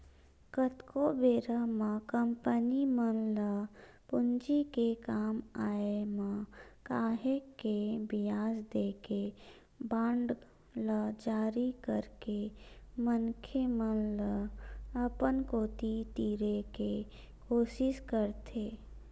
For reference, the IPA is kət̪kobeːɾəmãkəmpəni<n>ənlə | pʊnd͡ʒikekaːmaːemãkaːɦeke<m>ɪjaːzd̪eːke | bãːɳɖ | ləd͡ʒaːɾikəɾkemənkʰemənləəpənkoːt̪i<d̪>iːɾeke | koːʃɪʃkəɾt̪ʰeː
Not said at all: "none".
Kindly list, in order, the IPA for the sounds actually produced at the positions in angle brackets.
m, b, t̪

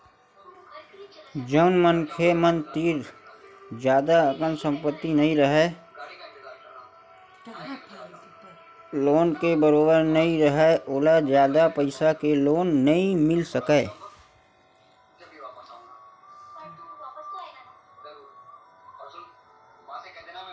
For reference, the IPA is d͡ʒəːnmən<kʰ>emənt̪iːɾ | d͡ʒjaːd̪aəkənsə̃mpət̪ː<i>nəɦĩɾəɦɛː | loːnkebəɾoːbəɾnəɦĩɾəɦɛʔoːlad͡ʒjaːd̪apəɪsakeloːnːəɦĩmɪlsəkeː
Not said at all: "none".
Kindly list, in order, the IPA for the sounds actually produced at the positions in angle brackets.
kʰ, i

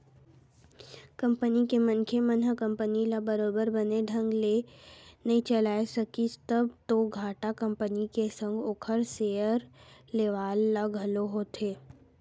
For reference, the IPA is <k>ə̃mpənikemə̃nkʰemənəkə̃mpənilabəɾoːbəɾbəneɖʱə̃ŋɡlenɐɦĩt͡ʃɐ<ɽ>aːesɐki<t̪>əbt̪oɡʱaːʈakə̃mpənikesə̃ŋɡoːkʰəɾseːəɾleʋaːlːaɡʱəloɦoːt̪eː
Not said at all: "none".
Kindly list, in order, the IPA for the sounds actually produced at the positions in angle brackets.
k, l, t̪

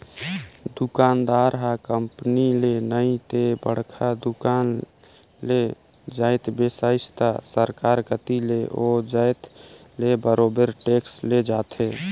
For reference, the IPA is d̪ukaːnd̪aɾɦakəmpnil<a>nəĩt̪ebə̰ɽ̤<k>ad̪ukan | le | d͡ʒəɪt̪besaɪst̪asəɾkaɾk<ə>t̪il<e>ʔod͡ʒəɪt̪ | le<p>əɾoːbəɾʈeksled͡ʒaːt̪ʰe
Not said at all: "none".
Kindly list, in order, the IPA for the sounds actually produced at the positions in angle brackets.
e, kʰ, ə, e, b

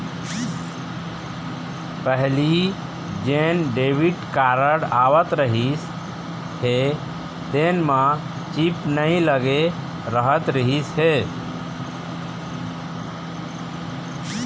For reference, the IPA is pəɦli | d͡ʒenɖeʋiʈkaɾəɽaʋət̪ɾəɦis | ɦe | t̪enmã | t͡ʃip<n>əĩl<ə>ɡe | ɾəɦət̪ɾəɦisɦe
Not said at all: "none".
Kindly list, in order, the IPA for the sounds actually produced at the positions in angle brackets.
n, ə

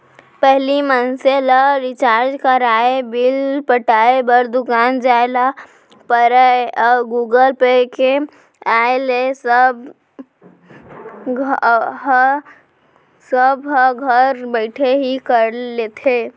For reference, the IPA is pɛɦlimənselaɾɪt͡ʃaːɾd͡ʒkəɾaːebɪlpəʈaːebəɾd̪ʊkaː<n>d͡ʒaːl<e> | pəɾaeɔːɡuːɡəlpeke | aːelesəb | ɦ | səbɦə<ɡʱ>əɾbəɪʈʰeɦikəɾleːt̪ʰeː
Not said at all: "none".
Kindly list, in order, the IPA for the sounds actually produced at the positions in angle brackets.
n, a, ɡʱ

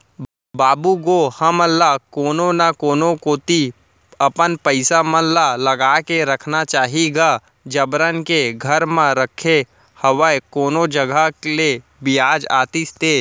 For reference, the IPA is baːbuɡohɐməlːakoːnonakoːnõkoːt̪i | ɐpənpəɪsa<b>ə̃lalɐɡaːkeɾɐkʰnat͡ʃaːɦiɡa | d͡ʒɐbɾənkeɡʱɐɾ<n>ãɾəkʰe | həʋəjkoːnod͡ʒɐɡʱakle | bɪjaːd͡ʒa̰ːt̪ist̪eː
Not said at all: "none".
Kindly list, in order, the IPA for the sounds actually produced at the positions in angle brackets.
m, m

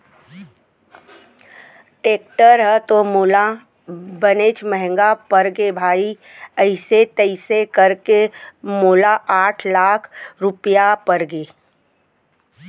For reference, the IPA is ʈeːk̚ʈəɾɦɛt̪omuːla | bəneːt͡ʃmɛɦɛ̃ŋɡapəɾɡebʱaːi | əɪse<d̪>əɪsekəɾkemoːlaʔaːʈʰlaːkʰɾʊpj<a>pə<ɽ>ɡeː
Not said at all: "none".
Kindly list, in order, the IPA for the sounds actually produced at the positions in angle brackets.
t̪, a, ɾ

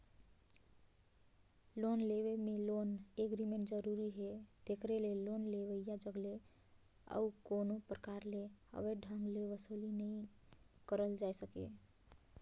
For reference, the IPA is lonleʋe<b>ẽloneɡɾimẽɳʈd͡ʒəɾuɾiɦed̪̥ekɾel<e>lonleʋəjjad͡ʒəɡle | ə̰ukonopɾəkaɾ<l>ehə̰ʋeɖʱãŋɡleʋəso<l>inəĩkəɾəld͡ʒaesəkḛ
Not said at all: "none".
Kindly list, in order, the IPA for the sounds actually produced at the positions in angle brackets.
m, e, l, l

